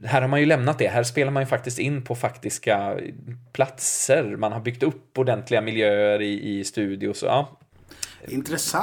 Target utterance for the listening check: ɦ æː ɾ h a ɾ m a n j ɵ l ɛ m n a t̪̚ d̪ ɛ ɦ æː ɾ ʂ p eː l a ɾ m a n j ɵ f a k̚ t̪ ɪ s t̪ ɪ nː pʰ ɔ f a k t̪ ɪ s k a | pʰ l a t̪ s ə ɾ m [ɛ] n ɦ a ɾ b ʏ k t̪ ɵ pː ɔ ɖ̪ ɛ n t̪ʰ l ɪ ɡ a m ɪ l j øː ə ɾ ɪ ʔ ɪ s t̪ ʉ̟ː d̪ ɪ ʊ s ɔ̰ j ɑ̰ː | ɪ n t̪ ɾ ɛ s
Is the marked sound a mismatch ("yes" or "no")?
yes